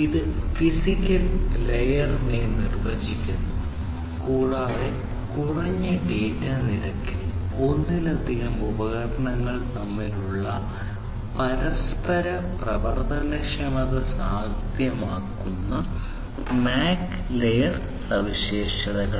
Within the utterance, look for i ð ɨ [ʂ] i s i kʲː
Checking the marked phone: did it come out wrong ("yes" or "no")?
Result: yes